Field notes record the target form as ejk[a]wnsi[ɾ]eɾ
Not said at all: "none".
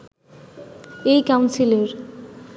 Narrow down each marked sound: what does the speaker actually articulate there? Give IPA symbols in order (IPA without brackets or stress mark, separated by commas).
a, l